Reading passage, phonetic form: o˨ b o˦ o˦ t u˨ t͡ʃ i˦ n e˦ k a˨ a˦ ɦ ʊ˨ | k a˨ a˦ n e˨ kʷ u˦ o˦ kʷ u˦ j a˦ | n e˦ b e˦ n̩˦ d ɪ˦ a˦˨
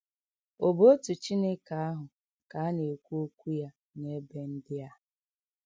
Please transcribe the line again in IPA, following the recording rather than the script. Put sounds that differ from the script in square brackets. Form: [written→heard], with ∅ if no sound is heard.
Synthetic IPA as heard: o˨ b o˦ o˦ t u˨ t͡ʃ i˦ n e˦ k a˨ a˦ ɦ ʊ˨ | k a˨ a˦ n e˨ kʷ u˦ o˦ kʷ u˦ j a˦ | n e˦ b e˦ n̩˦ d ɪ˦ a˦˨